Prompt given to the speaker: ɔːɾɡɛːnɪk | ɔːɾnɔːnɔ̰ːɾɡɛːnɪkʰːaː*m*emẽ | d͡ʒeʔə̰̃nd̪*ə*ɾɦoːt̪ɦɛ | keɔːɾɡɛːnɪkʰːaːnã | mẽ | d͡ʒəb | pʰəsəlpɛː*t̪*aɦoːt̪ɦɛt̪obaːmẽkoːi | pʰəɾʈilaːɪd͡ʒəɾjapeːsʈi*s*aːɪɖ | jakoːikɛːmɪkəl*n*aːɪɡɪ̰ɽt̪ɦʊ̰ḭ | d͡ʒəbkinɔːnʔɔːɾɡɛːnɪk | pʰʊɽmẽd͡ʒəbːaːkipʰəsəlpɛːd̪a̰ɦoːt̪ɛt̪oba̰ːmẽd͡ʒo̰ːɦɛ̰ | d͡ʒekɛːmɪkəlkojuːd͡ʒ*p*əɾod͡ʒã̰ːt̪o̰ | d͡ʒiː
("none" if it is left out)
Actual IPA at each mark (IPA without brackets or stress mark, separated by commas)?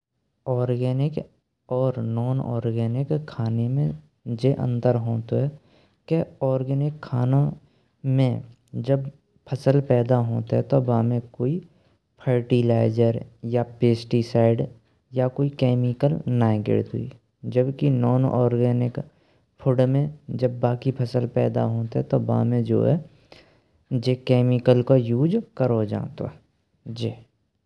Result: n, ə, d̪, s, n, k